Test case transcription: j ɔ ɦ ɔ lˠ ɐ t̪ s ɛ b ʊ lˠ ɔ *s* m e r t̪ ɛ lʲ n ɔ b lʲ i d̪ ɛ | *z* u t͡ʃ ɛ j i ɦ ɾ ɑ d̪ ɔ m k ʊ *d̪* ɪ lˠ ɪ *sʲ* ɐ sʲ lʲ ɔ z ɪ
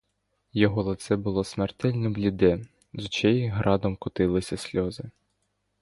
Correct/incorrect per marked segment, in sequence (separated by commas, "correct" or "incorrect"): correct, correct, incorrect, correct